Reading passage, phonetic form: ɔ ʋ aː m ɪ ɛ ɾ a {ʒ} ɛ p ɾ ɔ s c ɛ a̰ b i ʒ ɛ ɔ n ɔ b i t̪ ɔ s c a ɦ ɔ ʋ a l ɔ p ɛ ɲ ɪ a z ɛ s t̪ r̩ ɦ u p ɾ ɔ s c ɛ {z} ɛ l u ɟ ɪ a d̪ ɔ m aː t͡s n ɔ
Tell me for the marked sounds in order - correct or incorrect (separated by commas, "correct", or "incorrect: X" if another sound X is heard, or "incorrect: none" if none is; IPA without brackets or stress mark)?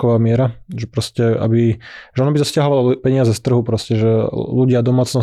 correct, incorrect: ʒ